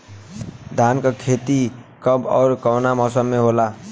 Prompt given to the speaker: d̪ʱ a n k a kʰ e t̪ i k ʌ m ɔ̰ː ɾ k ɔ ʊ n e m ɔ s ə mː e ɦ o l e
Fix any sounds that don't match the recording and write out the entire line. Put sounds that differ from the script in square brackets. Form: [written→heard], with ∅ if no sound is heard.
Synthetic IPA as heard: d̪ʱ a n k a kʰ e t̪ i k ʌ [m→b] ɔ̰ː ɾ k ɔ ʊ n [e→a] m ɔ s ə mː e ɦ o l [e→a]